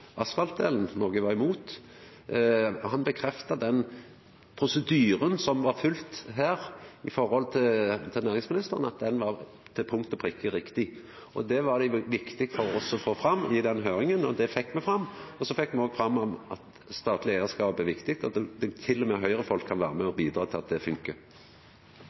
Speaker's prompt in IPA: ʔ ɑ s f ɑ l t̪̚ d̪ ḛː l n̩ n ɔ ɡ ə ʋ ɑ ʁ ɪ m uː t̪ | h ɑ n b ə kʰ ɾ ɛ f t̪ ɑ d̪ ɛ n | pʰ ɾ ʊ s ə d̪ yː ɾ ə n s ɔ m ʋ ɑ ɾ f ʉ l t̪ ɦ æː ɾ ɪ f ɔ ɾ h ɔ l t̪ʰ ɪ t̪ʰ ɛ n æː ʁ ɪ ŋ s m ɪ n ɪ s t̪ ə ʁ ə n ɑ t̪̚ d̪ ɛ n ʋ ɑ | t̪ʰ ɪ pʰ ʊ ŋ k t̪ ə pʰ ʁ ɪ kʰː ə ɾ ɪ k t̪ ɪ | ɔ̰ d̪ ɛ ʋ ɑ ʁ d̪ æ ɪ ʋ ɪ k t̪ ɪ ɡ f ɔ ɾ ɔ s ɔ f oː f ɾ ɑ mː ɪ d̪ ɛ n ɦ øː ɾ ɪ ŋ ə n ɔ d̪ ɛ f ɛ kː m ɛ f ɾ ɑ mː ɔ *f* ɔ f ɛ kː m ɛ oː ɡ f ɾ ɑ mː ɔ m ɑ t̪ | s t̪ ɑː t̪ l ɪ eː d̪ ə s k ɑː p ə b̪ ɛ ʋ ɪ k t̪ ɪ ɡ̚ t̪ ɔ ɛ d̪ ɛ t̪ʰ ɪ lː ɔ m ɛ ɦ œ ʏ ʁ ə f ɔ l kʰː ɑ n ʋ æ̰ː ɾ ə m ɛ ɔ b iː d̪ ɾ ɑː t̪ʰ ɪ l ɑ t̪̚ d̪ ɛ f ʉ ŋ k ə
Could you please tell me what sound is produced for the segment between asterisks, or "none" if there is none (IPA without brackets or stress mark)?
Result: s